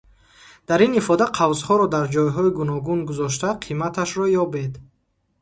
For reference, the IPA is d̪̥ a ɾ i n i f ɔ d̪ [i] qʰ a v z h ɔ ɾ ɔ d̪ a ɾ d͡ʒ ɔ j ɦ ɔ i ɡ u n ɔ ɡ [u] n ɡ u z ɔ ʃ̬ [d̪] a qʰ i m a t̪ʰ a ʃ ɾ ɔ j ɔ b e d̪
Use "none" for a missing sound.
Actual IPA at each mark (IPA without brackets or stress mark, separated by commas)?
a, u, t̪